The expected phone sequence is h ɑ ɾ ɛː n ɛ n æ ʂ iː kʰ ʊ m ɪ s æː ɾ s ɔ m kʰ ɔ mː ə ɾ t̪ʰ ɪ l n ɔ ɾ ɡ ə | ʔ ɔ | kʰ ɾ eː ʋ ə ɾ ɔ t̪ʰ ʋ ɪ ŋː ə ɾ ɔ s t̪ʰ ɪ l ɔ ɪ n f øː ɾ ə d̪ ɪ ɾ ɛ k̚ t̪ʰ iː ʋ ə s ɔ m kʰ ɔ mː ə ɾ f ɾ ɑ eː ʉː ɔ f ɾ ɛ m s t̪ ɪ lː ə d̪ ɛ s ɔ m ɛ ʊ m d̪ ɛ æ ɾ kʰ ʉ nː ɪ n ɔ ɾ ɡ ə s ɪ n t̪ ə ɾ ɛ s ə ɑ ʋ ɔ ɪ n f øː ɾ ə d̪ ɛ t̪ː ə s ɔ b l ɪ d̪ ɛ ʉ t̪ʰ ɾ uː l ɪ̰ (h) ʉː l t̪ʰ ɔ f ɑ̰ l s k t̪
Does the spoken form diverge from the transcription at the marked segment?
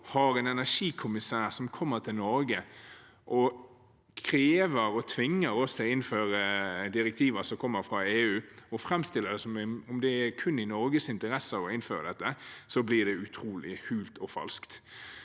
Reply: no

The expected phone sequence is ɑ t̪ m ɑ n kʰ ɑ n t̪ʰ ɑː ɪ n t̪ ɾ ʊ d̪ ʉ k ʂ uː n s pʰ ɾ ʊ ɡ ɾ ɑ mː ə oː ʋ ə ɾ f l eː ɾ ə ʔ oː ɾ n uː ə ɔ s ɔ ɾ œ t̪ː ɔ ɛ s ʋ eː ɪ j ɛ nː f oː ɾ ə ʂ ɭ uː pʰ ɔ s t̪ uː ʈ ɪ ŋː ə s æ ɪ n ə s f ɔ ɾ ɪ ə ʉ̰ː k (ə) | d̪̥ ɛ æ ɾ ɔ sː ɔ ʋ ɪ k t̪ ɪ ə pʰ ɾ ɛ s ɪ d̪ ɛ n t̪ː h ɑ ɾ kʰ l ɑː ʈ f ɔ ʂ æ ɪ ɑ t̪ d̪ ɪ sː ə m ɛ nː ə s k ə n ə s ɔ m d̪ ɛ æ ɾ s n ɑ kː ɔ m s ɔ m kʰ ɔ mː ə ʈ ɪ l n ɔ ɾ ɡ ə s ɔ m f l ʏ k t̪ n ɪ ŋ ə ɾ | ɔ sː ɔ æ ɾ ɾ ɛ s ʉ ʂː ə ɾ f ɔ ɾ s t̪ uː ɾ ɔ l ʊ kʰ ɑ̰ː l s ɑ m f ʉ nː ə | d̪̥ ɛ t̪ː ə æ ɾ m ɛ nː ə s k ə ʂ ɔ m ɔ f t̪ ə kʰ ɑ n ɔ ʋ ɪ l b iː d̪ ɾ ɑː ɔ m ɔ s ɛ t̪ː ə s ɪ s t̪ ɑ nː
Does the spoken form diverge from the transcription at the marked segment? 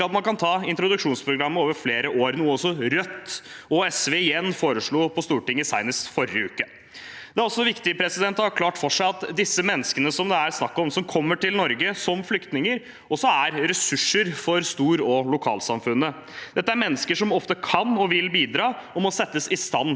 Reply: no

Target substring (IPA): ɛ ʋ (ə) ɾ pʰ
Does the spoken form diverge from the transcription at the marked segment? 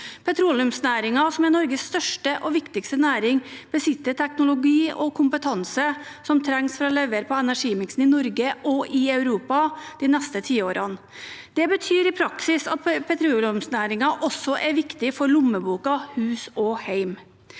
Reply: no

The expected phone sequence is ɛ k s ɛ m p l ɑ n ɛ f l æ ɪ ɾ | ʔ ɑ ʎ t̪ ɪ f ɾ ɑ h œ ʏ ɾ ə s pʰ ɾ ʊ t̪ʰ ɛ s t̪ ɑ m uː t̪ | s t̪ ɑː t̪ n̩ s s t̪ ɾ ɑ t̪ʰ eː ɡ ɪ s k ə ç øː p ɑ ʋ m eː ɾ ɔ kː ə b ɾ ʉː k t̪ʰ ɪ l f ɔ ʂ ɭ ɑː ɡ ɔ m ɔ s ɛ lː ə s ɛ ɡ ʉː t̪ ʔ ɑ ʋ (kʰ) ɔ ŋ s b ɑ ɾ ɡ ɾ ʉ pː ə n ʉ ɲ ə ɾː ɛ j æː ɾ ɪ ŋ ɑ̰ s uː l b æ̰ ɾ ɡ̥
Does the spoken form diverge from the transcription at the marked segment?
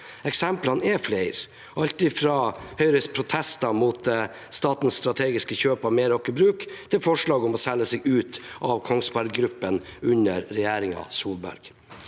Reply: no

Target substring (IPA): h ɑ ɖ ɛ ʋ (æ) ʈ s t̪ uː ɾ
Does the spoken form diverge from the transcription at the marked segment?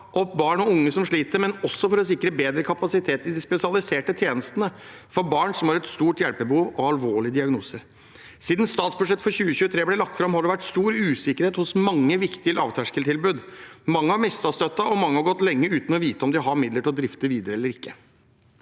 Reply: no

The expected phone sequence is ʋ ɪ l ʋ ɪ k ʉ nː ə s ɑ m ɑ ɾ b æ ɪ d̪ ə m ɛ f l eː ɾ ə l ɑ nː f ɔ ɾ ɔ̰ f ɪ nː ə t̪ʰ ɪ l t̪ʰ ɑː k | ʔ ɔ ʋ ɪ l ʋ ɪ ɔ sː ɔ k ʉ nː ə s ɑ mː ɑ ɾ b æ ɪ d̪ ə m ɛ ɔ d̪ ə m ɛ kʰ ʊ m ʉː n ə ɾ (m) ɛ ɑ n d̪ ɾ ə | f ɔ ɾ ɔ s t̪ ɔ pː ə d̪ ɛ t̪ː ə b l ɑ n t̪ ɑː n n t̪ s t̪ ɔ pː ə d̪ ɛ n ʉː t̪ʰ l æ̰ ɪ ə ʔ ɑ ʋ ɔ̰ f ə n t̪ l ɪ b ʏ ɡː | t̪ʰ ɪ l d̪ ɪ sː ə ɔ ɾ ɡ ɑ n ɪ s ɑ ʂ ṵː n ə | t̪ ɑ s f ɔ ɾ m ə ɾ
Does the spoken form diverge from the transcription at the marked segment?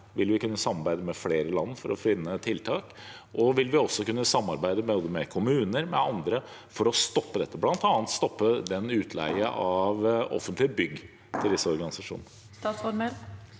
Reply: no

